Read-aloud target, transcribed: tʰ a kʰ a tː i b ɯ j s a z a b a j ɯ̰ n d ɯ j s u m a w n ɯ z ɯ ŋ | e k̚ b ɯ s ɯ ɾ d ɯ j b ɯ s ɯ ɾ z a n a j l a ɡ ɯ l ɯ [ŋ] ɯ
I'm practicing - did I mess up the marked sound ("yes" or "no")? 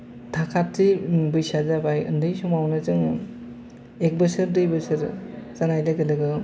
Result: yes